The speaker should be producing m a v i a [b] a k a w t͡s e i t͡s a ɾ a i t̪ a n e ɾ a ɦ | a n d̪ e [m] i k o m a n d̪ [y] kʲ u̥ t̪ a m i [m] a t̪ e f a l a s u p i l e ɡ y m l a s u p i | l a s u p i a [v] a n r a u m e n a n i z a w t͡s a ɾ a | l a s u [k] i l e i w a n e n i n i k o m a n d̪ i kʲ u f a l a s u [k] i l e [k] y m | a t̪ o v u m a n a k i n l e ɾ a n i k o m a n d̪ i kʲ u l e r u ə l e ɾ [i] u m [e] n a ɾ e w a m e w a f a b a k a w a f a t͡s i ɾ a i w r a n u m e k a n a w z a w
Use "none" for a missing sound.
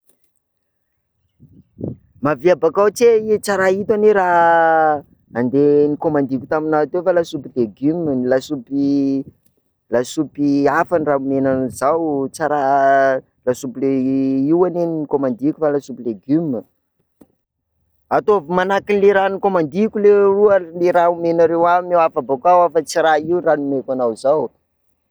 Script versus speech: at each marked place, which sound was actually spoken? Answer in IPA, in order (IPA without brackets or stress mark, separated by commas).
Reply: b, n, i, n, f, p, p, ɡ, a, e